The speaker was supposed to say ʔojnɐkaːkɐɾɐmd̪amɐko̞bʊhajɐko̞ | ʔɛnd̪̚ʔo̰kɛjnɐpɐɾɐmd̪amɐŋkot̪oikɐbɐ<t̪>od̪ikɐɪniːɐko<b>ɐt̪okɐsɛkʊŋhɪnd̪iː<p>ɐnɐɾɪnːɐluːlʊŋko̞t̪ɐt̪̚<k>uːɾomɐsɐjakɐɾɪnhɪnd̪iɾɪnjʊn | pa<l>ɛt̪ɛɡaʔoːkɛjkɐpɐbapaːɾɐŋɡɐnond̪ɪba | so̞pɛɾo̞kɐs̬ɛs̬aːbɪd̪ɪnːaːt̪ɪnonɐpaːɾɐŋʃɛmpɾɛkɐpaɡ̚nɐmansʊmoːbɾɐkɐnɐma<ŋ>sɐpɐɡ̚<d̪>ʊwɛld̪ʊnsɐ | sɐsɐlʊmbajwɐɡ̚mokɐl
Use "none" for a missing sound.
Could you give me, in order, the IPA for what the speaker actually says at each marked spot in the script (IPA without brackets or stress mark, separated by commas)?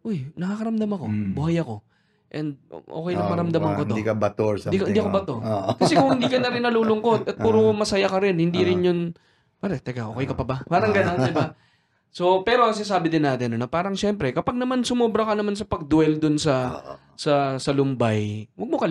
t̪, b, k, p, ɾ, n, d̪